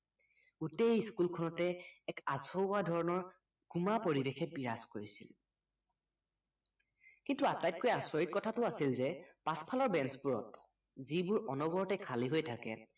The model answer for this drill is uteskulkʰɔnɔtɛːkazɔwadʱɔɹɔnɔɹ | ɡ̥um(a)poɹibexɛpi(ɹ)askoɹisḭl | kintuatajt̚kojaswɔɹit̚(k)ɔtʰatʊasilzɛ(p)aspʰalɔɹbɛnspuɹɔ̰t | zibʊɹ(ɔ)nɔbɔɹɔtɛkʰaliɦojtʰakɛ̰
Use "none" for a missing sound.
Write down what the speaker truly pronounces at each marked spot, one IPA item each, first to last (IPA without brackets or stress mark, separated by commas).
a, ɹ, k, p, ɔ